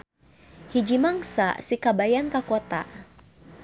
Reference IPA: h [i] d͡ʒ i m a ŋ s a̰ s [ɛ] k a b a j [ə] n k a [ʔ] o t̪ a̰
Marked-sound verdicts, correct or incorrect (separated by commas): correct, incorrect, incorrect, incorrect